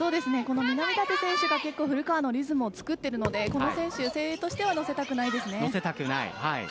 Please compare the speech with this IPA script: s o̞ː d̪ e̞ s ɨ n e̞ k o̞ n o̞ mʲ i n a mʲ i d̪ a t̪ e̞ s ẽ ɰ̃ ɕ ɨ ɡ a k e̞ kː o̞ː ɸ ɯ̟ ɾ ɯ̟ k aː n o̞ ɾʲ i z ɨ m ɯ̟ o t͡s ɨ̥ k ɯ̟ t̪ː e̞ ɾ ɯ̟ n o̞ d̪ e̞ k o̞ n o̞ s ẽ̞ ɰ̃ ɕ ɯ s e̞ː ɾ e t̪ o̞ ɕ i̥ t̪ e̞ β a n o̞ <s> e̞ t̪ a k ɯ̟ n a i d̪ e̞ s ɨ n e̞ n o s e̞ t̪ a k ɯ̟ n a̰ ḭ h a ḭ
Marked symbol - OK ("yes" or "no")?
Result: yes